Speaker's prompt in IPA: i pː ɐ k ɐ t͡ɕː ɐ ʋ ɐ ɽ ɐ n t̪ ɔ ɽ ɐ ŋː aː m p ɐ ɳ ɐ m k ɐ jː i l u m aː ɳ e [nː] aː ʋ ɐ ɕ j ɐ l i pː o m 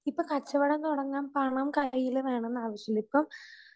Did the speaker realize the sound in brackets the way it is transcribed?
yes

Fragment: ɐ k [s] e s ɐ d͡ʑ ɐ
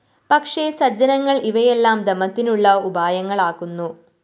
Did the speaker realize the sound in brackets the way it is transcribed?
no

